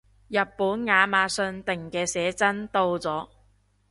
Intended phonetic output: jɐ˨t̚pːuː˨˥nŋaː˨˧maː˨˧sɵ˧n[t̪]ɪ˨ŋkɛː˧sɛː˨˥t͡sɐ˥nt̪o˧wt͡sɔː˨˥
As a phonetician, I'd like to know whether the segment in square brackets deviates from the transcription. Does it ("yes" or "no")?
no